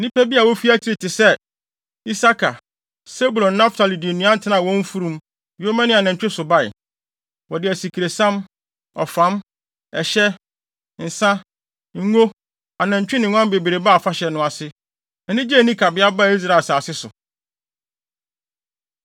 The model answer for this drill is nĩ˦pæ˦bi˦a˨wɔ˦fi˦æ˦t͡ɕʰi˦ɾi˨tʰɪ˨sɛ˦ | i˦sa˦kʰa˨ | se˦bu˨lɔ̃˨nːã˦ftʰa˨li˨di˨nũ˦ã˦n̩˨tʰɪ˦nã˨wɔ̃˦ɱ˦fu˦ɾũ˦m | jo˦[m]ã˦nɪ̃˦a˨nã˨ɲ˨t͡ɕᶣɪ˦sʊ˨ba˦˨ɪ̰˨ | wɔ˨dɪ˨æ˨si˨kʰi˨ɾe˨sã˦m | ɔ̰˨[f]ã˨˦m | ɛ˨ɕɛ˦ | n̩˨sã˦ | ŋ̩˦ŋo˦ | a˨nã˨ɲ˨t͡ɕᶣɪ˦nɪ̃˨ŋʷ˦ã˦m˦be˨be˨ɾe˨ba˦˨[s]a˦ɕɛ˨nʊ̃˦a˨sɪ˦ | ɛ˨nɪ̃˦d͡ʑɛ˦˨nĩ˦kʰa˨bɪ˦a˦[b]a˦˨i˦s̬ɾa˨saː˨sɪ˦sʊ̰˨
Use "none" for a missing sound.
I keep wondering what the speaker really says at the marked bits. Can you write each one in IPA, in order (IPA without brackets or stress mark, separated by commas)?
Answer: m, f, f, b